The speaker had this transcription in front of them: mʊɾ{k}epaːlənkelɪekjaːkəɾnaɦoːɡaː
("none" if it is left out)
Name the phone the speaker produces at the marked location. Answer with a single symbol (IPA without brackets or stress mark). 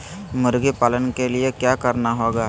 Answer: ɡ